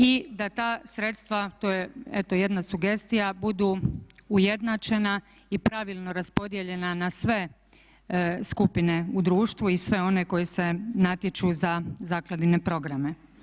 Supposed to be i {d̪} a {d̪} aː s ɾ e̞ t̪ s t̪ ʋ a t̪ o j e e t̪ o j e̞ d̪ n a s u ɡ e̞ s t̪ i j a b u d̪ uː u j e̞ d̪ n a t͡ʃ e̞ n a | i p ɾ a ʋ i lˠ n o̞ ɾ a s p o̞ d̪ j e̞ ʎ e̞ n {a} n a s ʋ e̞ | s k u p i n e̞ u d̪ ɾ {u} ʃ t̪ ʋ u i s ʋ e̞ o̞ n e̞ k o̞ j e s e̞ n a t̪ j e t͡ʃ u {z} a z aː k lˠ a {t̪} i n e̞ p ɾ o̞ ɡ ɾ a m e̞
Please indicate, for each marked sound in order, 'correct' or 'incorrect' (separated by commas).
correct, incorrect, correct, incorrect, correct, incorrect